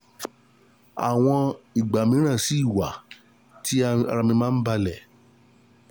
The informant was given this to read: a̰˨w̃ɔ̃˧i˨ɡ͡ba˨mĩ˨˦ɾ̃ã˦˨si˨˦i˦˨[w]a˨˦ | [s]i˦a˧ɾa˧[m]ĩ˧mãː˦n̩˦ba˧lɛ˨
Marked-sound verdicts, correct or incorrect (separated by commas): correct, incorrect, correct